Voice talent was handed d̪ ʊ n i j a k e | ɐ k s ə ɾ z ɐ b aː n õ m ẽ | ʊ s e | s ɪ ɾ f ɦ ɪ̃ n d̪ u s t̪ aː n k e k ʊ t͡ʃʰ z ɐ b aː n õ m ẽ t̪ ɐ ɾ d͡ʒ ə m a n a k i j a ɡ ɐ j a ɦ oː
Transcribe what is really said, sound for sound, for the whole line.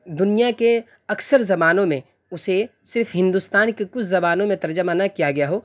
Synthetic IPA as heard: d̪ ʊ n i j a k e | ɐ k s ə ɾ z ɐ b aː n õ m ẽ | ʊ s e | s ɪ ɾ f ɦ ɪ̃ n d̪ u s t̪ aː n k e k ʊ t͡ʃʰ z ɐ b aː n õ m ẽ t̪ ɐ ɾ d͡ʒ ə m a n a k i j a ɡ ɐ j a ɦ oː